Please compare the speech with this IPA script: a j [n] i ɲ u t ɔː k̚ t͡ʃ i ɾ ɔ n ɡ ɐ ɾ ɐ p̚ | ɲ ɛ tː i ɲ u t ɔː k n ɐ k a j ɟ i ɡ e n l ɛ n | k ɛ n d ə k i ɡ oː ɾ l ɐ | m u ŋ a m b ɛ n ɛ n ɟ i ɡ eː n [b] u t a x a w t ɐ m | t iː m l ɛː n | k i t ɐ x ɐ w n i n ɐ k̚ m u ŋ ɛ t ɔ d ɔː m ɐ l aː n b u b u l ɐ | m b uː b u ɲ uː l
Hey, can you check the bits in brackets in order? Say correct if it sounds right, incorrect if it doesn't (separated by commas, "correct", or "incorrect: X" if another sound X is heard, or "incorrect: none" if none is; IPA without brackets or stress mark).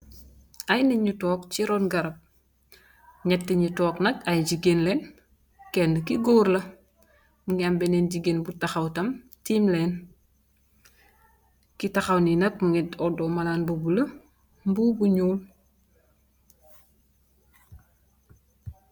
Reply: correct, correct